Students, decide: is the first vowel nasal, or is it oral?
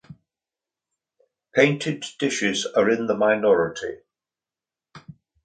nasal